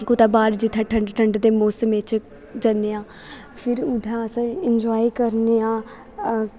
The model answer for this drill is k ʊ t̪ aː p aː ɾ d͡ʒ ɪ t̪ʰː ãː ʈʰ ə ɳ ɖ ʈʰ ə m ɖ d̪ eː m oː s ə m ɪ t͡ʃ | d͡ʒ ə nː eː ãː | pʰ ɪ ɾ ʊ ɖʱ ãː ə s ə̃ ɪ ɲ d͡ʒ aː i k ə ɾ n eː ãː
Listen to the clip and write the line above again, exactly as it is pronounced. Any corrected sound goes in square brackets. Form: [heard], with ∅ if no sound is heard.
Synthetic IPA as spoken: k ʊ t̪ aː [b] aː ɾ d͡ʒ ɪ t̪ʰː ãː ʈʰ ə ɳ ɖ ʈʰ ə [ɳ] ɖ d̪ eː m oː s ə m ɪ t͡ʃ | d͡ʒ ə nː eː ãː | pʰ ɪ ɾ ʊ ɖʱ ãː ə s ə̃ ɪ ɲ d͡ʒ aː i k ə ɾ n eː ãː

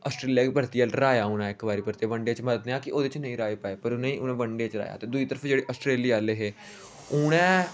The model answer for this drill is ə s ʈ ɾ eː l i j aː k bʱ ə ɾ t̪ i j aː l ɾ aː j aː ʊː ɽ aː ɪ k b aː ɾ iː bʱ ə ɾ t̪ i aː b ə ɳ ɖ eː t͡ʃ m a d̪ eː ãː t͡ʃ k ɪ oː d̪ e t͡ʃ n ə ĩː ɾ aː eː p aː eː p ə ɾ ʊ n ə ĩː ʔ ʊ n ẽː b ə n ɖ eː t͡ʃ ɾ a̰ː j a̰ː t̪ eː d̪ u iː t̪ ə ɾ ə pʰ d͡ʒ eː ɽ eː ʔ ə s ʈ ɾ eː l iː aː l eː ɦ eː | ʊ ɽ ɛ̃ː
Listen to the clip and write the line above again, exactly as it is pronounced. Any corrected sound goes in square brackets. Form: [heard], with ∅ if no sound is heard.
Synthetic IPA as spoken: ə s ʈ ɾ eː l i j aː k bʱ ə ɾ t̪ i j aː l ɾ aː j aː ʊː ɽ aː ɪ k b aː ɾ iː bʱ ə ɾ t̪ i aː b ə ɳ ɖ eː t͡ʃ m [ə] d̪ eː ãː [∅] k ɪ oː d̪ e t͡ʃ n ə ĩː ɾ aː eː p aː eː p ə ɾ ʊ n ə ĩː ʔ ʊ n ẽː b ə [ɳ] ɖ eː t͡ʃ ɾ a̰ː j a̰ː t̪ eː d̪ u iː t̪ ə ɾ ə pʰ d͡ʒ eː ɽ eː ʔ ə s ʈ ɾ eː l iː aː l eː ɦ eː | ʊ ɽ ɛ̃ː

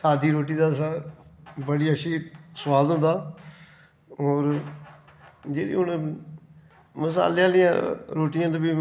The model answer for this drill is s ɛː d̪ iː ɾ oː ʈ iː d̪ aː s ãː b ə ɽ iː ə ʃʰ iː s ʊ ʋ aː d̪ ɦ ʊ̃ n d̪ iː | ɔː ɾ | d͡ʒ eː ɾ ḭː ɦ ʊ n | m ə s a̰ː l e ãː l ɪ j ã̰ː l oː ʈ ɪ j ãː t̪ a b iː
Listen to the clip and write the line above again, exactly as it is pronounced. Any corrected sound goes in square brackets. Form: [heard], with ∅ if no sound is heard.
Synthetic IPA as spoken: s [aː] d̪ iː ɾ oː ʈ iː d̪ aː s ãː b ə ɽ iː ə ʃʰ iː s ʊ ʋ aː d̪ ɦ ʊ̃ n d̪ [aː] | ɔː ɾ | d͡ʒ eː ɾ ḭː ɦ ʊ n | m ə s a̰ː l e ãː l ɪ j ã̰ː [ɾ] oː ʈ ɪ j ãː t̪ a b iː

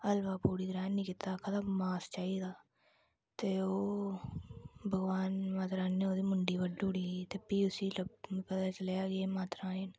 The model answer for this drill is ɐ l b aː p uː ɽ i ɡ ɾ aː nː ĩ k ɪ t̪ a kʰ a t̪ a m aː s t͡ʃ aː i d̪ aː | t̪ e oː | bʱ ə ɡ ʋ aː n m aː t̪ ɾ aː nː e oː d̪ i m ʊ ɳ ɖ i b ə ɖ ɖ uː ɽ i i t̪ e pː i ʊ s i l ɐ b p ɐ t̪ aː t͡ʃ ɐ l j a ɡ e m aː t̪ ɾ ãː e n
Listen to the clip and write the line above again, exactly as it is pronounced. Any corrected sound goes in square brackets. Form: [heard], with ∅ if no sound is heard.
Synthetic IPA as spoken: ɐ l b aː p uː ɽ i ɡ ɾ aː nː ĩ k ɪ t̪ a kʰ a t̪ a m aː s t͡ʃ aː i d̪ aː | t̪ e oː | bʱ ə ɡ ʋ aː n m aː t̪ ɾ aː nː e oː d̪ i m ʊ ɳ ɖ i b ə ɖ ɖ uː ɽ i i t̪ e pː i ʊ s i l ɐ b p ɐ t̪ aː t͡ʃ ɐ l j a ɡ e m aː t̪ ɾ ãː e n

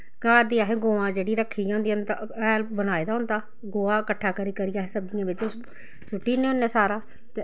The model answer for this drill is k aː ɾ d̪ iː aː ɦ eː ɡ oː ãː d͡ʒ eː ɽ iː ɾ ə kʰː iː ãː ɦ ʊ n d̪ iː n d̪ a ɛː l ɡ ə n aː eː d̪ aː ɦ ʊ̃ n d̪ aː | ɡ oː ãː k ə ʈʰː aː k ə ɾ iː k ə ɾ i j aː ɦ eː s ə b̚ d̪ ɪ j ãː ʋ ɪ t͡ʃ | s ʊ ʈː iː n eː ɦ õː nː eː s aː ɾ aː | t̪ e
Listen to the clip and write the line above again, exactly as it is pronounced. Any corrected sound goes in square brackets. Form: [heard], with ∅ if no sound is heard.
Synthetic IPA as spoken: k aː ɾ d̪ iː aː ɦ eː ɡ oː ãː d͡ʒ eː ɽ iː ɾ ə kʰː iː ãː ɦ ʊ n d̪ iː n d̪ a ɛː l [b] ə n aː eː d̪ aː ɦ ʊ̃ n d̪ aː | ɡ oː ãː k ə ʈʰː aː k ə ɾ iː k ə ɾ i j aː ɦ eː s ə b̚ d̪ ɪ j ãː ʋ ɪ t͡ʃ | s ʊ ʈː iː n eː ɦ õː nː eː s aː ɾ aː | t̪ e

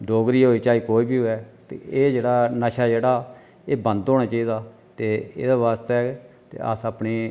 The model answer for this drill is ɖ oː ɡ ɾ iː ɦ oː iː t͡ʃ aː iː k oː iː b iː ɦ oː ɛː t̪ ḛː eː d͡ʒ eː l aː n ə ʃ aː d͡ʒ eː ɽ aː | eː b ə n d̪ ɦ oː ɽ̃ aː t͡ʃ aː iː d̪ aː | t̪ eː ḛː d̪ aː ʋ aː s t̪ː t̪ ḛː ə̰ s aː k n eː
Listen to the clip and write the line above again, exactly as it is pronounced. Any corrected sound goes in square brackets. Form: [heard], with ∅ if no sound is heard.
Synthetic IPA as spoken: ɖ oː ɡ ɾ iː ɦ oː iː t͡ʃ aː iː k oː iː b iː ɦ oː ɛː t̪ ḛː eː d͡ʒ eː [ɽ] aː n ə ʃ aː d͡ʒ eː ɽ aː | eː b ə n d̪ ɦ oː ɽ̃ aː t͡ʃ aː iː d̪ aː | t̪ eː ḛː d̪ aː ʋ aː s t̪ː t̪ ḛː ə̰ s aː [p] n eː

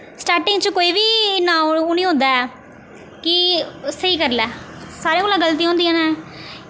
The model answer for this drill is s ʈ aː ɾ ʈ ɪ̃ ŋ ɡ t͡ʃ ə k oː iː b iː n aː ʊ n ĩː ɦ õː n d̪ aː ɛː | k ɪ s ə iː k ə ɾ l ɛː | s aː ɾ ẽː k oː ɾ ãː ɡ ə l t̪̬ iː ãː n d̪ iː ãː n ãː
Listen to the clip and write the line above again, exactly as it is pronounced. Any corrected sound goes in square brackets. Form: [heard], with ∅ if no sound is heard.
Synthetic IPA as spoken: s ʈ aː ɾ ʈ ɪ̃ ŋ ɡ t͡ʃ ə k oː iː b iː n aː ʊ n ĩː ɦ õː n d̪ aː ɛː | k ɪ s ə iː k ə ɾ l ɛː | s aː ɾ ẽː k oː [l] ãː ɡ ə l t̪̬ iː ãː n d̪ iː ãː n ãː

